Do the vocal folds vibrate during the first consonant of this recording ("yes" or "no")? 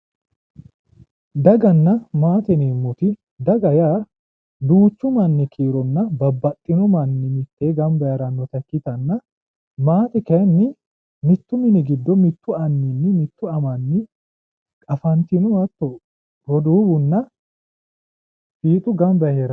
yes